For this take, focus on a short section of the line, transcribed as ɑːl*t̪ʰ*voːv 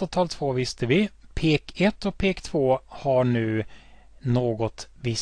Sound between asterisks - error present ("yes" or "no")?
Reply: no